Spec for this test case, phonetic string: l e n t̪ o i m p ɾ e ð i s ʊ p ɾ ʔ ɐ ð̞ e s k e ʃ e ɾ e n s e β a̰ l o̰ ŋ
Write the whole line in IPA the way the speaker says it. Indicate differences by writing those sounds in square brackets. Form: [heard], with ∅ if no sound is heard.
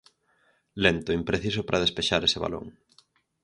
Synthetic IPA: l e n t̪ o i m p ɾ e [θ] i s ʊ p ɾ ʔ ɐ ð̞ e s [p] e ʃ [a] ɾ e [∅] s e β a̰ l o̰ ŋ